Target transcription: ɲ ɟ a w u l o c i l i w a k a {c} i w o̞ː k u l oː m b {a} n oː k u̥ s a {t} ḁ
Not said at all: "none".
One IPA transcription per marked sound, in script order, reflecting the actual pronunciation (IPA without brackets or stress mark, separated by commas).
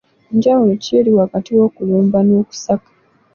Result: t, a, k